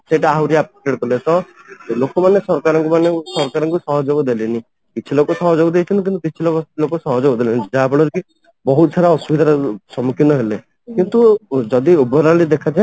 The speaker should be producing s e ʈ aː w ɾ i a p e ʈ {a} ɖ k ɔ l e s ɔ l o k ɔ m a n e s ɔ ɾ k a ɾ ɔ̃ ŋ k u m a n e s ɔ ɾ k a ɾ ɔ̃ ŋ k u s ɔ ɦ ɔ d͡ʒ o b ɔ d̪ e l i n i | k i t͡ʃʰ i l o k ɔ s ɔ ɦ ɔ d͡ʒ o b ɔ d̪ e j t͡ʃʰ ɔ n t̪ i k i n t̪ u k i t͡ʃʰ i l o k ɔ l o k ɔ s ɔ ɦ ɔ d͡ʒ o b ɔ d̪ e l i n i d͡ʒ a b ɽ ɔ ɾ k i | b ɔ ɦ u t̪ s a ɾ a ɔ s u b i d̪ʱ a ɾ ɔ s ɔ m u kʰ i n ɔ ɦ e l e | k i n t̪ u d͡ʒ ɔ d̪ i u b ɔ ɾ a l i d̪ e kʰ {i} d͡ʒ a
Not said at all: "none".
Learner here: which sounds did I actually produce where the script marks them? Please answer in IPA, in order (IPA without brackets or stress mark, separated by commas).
e, a